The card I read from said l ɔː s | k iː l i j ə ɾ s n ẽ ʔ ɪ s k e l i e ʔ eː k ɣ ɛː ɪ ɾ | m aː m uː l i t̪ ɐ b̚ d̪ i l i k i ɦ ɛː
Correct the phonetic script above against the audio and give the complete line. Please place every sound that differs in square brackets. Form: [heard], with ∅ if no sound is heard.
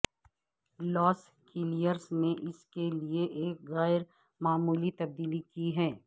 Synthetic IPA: l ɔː s | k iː l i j ə ɾ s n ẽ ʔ ɪ s k e l i e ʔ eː k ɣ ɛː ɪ ɾ | m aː m uː l i t̪ ɐ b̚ d̪ [iː] l i k i ɦ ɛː